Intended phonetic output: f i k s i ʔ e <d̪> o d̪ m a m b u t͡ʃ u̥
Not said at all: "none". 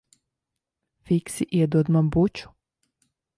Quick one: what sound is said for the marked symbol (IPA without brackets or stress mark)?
d̪